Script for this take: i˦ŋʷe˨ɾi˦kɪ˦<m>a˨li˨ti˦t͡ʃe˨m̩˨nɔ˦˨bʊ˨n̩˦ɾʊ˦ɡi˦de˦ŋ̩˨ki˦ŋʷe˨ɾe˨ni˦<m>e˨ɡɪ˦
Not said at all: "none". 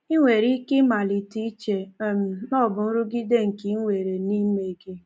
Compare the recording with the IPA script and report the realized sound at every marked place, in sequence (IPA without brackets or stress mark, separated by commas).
m, m